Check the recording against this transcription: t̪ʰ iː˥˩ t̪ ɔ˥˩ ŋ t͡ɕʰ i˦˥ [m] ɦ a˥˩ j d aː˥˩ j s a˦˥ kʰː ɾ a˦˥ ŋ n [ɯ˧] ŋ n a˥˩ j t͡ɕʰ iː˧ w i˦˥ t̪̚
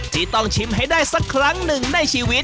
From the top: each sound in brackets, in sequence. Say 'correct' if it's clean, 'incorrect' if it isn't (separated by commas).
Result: correct, incorrect